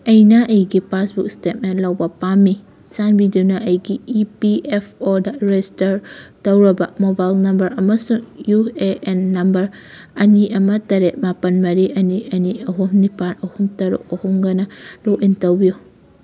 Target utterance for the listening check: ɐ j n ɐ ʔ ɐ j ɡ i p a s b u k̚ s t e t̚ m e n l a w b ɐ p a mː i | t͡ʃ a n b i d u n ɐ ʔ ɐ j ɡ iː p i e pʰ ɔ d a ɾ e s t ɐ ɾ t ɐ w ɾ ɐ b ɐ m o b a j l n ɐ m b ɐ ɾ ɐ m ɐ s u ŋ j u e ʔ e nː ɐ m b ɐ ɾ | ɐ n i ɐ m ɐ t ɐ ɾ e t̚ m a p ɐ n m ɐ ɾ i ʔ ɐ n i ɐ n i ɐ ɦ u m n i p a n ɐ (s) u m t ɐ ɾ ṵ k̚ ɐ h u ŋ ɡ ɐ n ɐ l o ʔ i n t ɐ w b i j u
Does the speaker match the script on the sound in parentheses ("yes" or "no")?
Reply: no